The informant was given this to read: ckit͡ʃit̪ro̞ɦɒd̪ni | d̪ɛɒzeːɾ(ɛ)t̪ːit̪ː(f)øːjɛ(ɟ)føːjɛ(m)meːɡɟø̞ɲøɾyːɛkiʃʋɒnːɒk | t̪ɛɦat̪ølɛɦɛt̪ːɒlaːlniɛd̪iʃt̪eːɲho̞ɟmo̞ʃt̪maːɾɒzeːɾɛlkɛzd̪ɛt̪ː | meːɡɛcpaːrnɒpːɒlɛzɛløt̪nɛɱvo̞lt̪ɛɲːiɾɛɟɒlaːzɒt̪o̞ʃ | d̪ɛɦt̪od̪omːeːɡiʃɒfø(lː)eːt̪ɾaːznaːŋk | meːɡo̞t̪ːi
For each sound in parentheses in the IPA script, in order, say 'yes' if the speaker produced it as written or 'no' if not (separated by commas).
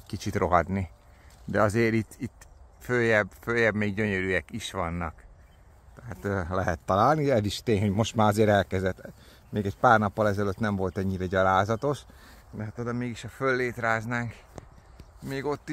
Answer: no, yes, no, no, yes